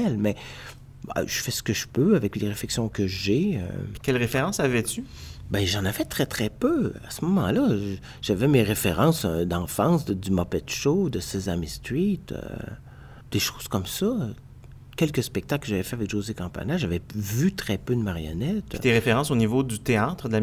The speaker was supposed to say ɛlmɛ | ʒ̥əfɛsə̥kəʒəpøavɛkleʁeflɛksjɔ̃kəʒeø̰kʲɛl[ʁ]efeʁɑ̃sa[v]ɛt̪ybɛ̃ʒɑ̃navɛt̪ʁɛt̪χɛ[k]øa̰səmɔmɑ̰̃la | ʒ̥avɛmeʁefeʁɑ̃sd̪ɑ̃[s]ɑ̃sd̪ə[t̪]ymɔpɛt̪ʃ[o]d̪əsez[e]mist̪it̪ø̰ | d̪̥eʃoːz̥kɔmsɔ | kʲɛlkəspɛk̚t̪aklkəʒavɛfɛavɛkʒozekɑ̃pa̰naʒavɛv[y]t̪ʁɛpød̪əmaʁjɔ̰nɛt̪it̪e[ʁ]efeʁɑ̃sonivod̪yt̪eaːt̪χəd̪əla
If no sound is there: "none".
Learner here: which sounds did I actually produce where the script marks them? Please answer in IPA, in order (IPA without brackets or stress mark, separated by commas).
ʁ, v, p, f, d̪, o, a, y, ʁ